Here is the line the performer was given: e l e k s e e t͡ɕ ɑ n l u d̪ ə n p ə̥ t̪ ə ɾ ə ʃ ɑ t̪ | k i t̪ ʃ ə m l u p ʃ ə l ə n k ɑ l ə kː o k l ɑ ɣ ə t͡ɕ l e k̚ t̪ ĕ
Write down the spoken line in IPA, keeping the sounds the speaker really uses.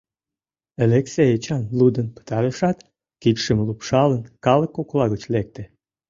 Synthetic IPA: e l e k s e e t͡ɕ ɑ n l u d̪ ə n p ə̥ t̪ ɑ ɾ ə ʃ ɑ t̪ | k i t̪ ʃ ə m l u p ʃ ɑ l ə n k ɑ l ə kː o k l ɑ ɣ ə t͡ɕ l e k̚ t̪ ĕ